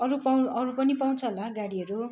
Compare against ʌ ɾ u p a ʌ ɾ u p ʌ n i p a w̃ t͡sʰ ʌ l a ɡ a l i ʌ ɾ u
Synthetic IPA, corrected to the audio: ʌ ɾ u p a ʌ ɾ u p ʌ n i p a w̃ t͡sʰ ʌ l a ɡ a ɽ i ʌ ɾ u